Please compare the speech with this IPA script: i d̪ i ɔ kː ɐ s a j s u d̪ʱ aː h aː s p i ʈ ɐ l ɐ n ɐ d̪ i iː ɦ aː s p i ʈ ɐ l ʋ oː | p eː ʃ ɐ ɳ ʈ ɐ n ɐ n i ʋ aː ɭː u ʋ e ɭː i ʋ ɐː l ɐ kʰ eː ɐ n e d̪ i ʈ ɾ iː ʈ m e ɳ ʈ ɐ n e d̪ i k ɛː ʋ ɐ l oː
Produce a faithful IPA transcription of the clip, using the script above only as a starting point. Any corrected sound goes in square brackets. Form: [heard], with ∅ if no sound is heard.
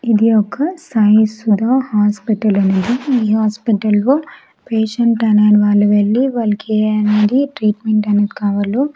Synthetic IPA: i d̪ i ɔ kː ɐ s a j s u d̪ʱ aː h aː s p i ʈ ɐ l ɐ n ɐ d̪ i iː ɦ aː s p i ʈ ɐ l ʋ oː | p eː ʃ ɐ ɳ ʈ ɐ n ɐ n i ʋ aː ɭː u ʋ e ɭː i ʋ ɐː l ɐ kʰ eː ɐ n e d̪ i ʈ ɾ iː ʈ m e ɳ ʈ ɐ n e d̪ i k [aː] ʋ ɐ l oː

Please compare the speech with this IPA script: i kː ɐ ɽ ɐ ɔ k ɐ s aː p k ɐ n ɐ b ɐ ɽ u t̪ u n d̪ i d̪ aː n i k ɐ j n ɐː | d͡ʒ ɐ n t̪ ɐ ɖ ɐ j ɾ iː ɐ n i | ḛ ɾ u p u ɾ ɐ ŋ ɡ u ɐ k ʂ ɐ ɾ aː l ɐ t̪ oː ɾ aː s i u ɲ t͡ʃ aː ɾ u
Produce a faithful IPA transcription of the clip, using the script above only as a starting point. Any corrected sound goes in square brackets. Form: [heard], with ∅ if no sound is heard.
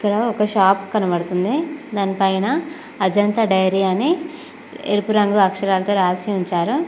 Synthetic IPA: i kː ɐ ɽ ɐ ɔ k ɐ [ʃ] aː p k ɐ n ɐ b ɐ ɽ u t̪ u n d̪ i d̪ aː n i [p] ɐ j n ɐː | d͡ʒ ɐ n t̪ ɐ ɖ ɐ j ɾ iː ɐ n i | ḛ ɾ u p u ɾ ɐ ŋ ɡ u ɐ k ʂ ɐ ɾ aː l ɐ t̪ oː ɾ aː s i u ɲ t͡ʃ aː ɾ u

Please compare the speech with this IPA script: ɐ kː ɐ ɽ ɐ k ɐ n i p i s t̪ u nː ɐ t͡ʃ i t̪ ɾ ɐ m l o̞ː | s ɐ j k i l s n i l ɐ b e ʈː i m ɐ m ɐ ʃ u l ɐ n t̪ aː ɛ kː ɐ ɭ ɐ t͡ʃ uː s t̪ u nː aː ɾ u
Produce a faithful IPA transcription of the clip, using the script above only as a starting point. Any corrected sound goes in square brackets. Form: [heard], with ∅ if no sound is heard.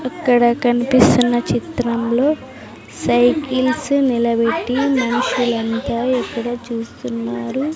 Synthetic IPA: ɐ kː ɐ ɽ ɐ k ɐ n i p i s t̪ u nː ɐ t͡ʃ i t̪ ɾ ɐ m l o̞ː | s ɐ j k i l s n i l ɐ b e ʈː i m ɐ [n] ɐ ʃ u l ɐ n t̪ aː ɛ kː ɐ [ɽ] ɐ t͡ʃ uː s t̪ u nː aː ɾ u

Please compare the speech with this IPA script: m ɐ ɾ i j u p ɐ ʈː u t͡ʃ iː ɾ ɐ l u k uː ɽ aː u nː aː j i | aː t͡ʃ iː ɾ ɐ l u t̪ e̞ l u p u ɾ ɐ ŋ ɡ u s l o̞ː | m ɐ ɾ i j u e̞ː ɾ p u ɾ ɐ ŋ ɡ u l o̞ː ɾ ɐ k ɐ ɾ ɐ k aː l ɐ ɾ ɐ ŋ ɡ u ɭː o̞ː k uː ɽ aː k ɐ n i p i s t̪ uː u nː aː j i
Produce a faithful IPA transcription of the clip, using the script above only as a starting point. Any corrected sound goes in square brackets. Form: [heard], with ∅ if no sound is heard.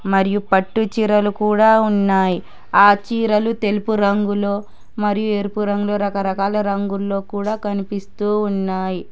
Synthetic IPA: m ɐ ɾ i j u p ɐ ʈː u t͡ʃ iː ɾ ɐ l u k uː ɽ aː u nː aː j i | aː t͡ʃ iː ɾ ɐ l u t̪ e̞ l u p u ɾ ɐ ŋ ɡ u [∅] l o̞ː | m ɐ ɾ i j u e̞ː ɾ p u ɾ ɐ ŋ ɡ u l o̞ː ɾ ɐ k ɐ ɾ ɐ k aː l ɐ ɾ ɐ ŋ ɡ u [lː] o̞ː k uː ɽ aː k ɐ n i p i s t̪ uː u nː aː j i

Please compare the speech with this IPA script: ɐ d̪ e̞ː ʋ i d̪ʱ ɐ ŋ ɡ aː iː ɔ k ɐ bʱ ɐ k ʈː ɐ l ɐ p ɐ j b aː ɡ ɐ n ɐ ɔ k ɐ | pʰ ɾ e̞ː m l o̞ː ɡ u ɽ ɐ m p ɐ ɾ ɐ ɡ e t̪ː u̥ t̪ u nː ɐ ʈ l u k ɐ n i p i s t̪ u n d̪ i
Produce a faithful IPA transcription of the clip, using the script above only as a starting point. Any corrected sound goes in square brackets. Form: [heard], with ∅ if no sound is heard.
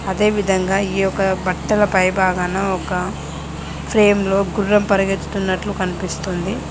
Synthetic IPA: ɐ d̪ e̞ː ʋ i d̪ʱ ɐ ŋ ɡ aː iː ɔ k ɐ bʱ ɐ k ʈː ɐ l ɐ p ɐ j b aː ɡ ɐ n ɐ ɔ k ɐ | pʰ ɾ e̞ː m l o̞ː ɡ u [ɾ] ɐ m p ɐ ɾ ɐ ɡ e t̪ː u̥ t̪ u nː ɐ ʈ l u k ɐ n i p i s t̪ u n d̪ i

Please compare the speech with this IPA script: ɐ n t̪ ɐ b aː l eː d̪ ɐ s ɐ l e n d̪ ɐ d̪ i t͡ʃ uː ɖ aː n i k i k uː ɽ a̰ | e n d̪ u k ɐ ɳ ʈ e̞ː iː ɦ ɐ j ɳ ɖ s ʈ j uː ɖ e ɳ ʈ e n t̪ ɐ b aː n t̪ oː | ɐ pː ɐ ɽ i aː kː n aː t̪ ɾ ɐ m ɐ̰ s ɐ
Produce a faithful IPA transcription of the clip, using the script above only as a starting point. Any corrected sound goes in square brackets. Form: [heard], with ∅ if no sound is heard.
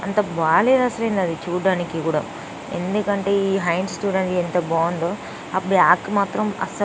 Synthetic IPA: ɐ n t̪ ɐ b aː l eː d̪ ɐ s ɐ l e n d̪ ɐ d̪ i t͡ʃ uː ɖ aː n i k i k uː ɽ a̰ | e n d̪ u k ɐ ɳ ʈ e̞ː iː ɦ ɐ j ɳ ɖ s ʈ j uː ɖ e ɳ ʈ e n t̪ ɐ b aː n [d̪] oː | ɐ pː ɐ ɽ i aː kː [m] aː t̪ ɾ ɐ m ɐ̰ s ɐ

